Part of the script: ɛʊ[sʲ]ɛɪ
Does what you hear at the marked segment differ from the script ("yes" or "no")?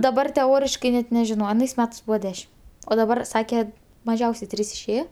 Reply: no